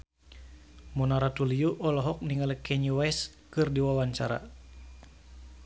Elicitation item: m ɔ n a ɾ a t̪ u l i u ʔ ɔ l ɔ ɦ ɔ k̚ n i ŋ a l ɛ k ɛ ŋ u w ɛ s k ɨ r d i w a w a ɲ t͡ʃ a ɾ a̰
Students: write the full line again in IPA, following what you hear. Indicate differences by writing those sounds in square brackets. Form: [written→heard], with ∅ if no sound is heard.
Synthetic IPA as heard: m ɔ n a ɾ a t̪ u l i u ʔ ɔ l ɔ ɦ ɔ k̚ n i ŋ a l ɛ k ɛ [ŋ→ɲ] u w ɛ s k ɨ r d i w a w a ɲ t͡ʃ a ɾ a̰